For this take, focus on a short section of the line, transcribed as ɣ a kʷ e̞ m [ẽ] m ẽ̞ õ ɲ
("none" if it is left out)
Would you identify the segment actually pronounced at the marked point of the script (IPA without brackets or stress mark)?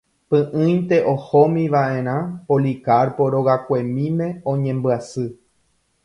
ĩ